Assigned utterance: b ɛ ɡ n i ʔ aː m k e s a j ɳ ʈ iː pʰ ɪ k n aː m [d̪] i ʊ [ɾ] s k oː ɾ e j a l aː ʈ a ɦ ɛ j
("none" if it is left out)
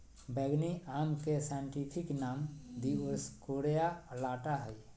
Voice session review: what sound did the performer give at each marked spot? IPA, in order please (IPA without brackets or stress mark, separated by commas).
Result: d̪, ɾ